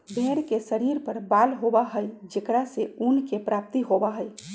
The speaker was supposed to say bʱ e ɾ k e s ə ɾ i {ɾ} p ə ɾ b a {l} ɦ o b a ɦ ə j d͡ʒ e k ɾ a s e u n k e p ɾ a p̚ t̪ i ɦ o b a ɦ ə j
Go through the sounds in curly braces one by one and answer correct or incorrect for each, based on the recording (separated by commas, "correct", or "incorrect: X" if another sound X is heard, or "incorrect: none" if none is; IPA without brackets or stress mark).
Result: correct, correct